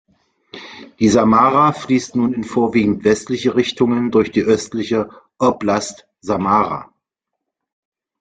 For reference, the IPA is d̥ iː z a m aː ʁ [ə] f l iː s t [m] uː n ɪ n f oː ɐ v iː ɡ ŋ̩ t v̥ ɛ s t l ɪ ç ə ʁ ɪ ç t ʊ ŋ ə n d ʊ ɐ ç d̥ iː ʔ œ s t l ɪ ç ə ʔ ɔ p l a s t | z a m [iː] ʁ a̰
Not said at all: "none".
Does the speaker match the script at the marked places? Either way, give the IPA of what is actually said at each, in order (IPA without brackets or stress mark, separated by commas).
a, n, aː